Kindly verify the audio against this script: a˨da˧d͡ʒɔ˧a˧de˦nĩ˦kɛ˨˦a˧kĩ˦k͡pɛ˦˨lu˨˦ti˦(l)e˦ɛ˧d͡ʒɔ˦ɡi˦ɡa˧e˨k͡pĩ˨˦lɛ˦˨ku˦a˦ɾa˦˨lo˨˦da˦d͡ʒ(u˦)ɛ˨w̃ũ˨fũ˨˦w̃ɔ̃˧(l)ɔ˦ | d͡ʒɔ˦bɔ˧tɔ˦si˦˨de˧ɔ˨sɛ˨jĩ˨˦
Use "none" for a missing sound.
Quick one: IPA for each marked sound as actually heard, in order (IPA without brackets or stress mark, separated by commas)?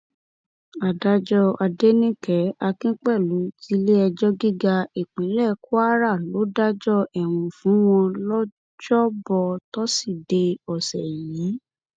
l, ɔ˦, l